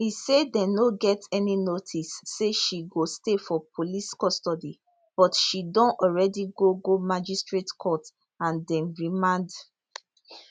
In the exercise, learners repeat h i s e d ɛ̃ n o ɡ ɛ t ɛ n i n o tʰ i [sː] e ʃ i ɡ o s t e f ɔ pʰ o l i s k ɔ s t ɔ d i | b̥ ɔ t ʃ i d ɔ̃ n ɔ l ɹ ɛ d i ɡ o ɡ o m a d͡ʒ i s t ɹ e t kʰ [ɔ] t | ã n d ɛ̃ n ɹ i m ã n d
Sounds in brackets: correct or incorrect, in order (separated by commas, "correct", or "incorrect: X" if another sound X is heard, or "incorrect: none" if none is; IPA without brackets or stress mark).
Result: correct, correct